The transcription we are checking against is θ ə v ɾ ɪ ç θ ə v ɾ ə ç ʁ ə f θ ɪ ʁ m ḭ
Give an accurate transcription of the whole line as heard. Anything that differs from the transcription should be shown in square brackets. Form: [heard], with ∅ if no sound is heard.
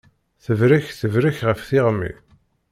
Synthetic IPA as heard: θ ə v ɾ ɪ ç θ ə v ɾ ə ç ʁ ə f θ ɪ ʁ m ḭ